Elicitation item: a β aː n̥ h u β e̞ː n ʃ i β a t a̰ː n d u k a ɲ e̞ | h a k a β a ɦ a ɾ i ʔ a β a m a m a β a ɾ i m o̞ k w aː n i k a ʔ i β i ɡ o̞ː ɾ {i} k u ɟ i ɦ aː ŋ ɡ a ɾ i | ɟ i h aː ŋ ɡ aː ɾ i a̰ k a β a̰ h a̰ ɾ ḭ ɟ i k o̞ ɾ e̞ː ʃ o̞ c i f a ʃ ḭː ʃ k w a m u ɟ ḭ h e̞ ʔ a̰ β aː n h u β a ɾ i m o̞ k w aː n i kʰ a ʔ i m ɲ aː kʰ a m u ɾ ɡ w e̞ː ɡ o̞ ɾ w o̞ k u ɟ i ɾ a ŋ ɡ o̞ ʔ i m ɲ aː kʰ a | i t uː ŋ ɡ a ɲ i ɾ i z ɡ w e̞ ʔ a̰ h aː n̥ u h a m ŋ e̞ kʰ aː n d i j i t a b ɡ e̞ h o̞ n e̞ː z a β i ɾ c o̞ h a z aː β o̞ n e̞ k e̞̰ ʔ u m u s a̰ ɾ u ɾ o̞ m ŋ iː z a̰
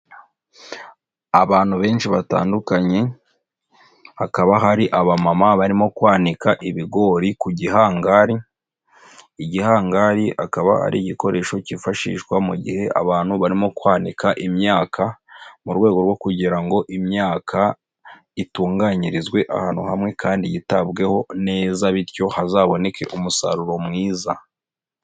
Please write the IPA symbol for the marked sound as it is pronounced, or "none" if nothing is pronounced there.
i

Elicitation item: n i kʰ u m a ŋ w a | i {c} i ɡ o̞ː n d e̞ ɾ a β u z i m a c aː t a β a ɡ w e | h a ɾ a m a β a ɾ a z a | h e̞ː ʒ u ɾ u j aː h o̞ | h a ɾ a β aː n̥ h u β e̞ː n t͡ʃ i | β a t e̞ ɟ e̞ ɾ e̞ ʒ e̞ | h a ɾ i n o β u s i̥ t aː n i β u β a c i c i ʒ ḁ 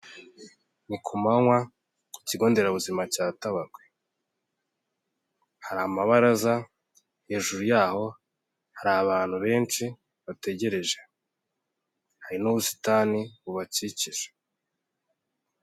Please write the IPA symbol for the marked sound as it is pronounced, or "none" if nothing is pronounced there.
c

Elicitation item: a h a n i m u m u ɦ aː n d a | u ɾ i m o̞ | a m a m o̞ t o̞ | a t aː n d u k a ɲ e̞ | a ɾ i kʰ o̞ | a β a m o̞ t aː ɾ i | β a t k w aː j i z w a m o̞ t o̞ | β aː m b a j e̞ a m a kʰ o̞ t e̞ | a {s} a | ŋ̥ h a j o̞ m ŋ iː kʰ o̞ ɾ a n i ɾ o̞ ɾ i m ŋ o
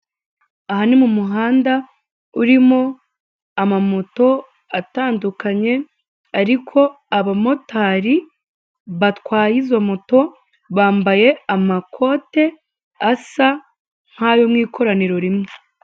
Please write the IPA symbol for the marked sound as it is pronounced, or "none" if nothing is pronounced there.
s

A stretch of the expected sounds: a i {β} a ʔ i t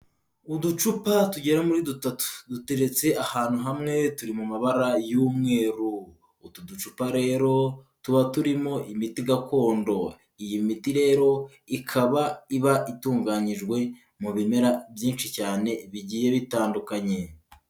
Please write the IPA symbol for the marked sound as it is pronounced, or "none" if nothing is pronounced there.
β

